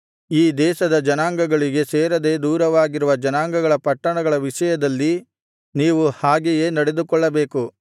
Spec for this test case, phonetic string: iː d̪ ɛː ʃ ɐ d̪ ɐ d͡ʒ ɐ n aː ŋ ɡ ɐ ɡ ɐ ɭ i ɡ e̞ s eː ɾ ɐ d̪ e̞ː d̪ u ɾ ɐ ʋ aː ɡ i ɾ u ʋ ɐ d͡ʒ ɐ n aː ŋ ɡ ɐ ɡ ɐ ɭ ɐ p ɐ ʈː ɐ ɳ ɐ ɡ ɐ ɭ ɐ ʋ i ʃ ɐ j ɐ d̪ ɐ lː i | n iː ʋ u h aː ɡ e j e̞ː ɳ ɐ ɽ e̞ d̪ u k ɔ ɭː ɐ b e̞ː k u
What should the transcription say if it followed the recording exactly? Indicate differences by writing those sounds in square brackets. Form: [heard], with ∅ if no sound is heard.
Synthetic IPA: iː d̪ ɛː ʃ ɐ d̪ ɐ d͡ʒ ɐ n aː ŋ ɡ ɐ ɡ ɐ ɭ i ɡ e̞ s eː ɾ ɐ d̪ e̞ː d̪ [uː] ɾ ɐ ʋ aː ɡ i ɾ u ʋ ɐ d͡ʒ ɐ n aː ŋ ɡ ɐ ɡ ɐ ɭ ɐ p ɐ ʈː ɐ ɳ ɐ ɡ ɐ ɭ ɐ ʋ i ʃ ɐ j ɐ d̪ ɐ lː i | n iː ʋ u h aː ɡ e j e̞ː [n] ɐ ɽ e̞ d̪ u k ɔ ɭː ɐ b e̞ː k u